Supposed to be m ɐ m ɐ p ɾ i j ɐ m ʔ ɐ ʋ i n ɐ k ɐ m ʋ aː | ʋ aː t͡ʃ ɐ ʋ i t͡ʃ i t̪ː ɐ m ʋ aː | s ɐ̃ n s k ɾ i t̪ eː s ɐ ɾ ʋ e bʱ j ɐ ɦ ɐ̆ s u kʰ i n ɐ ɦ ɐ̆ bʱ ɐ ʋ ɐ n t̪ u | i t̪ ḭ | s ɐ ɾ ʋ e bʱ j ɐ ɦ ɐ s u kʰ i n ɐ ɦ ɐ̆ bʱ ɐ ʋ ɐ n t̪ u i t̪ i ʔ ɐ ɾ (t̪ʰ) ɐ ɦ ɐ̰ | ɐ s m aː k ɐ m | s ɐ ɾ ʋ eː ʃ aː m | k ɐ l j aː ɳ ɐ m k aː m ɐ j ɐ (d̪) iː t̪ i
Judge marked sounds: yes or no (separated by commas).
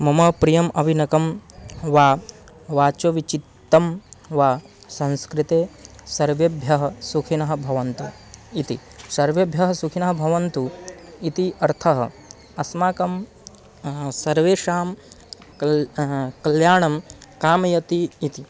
yes, no